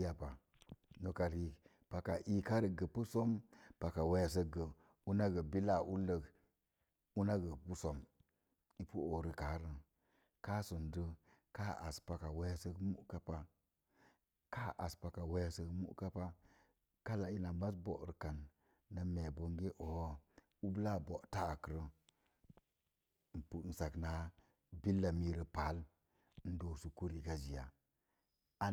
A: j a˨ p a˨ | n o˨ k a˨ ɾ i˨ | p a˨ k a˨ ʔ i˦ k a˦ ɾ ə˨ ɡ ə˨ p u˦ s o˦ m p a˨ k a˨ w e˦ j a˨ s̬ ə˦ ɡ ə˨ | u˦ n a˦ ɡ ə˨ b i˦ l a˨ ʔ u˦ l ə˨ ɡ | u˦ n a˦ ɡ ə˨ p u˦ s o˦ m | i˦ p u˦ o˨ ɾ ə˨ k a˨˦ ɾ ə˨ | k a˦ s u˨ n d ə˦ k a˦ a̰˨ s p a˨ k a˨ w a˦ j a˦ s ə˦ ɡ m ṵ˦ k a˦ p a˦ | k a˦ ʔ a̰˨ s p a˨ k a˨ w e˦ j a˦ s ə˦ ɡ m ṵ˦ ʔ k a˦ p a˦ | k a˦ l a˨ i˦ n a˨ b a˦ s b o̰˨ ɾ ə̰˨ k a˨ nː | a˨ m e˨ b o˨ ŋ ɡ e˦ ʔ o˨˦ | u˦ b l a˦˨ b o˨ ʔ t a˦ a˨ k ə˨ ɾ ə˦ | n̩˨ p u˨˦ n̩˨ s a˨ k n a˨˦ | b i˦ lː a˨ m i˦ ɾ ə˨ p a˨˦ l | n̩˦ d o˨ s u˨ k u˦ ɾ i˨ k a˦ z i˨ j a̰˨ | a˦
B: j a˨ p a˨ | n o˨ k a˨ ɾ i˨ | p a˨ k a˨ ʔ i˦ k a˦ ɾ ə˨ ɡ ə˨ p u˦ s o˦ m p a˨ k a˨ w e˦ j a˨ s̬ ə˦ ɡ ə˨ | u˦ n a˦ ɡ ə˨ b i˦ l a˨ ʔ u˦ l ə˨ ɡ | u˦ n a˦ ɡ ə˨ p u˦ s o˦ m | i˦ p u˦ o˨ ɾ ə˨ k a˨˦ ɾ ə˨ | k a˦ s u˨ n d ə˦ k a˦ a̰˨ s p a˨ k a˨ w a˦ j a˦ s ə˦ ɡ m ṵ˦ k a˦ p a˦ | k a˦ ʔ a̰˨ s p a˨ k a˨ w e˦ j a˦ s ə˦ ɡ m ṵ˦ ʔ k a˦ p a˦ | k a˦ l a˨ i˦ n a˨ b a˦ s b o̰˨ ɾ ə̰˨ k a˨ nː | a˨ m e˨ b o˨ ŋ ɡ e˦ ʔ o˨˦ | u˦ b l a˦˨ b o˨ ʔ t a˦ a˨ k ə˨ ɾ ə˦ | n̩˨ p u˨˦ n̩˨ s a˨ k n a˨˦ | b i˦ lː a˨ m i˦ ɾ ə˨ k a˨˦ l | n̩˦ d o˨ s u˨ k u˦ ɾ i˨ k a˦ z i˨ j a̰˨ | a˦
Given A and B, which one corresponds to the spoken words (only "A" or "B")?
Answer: A